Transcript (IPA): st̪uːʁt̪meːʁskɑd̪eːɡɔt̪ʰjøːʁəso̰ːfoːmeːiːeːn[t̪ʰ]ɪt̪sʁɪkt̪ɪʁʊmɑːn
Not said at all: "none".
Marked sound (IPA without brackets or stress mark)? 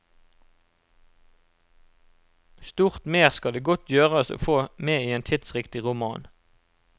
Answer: t̪ʰ